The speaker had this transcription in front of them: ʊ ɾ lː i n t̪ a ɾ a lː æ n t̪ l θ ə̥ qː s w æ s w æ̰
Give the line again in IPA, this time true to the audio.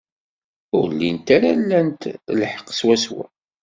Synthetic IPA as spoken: ʊ ɾ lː i n t̪ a ɾ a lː æ n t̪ l ħ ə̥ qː s w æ s w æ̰